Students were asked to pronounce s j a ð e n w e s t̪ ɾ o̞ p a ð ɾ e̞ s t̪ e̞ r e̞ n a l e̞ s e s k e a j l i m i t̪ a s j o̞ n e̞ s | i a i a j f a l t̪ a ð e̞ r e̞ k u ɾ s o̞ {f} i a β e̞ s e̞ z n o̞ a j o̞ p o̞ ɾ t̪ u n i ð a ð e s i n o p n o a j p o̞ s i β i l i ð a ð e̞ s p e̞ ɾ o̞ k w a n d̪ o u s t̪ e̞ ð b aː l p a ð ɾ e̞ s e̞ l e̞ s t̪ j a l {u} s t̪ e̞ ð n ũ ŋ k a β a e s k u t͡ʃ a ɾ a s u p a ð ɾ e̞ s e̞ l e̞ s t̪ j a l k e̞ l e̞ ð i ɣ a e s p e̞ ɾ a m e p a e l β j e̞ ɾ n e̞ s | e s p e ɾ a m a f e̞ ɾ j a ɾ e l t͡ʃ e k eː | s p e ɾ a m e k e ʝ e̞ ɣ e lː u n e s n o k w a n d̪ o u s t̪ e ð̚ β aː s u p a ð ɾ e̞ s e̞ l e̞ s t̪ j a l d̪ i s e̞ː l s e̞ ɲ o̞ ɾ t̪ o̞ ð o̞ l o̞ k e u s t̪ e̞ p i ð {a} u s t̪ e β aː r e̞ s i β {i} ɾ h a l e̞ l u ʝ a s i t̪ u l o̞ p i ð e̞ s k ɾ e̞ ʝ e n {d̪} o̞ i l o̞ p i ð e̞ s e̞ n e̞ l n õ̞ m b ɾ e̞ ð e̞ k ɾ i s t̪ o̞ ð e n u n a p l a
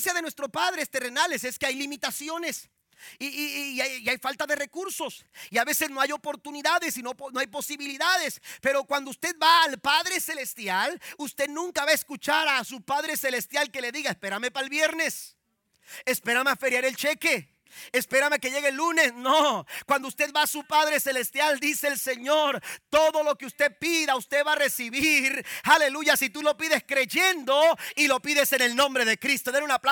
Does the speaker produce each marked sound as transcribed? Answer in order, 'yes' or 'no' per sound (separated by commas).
no, yes, yes, yes, yes